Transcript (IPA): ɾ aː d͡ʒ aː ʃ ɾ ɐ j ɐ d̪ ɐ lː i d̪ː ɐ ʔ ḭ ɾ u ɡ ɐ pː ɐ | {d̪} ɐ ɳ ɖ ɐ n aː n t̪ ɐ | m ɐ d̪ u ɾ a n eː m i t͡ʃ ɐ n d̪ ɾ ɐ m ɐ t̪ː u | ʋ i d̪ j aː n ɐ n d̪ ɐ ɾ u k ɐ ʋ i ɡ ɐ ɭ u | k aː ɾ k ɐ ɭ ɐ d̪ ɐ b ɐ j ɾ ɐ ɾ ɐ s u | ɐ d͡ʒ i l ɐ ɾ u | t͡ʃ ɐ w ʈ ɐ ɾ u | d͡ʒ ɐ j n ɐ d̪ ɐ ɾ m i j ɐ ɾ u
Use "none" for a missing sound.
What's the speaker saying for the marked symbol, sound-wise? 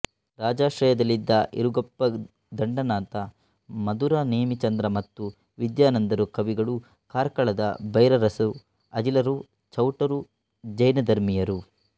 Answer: d̪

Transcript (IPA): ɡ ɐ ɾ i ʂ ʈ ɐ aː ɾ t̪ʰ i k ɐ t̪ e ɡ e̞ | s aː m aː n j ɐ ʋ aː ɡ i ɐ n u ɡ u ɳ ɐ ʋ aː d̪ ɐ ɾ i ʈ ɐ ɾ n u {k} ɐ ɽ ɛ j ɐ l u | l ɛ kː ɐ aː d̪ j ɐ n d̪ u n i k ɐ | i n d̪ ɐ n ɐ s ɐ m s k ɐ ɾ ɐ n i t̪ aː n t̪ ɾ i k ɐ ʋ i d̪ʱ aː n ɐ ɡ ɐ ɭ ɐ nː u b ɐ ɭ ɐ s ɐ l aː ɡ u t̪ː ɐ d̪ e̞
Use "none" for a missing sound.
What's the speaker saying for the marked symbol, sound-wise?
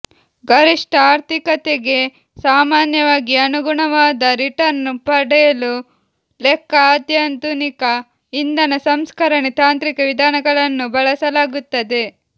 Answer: p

